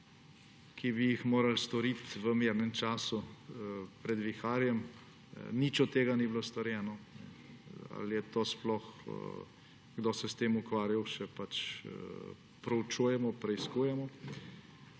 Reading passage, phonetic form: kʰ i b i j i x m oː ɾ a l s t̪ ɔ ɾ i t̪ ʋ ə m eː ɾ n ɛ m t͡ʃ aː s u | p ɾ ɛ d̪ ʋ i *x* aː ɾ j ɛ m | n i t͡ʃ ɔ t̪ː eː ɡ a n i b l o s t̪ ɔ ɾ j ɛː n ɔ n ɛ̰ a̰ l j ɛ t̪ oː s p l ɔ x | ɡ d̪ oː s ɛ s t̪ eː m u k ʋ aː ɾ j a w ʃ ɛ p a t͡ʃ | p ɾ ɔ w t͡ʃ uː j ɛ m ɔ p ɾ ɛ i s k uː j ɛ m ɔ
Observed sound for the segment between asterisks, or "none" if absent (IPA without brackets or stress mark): x